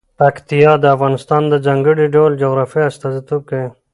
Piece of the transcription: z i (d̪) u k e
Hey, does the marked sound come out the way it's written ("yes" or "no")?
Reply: no